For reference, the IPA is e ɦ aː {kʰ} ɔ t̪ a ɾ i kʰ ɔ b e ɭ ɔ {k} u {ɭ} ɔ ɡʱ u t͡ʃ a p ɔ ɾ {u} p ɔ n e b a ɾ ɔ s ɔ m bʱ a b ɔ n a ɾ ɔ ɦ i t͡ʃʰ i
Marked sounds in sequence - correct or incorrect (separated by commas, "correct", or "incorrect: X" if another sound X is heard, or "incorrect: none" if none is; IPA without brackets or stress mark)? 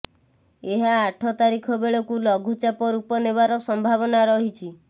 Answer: incorrect: ʈʰ, correct, incorrect: l, correct